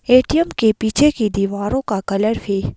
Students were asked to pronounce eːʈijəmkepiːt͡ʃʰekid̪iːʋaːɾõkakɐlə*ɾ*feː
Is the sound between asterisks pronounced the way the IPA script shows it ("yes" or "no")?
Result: yes